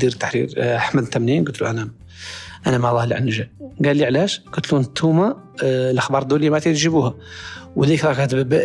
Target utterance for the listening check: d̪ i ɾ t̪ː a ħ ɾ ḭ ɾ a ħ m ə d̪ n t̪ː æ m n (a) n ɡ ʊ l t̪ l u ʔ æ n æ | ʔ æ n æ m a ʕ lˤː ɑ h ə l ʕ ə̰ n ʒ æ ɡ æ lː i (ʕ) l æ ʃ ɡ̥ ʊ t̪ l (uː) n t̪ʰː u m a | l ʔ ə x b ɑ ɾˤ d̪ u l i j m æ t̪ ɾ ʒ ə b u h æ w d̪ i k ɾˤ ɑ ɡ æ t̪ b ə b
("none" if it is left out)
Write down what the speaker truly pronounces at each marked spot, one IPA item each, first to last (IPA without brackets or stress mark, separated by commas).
i, ʕ, u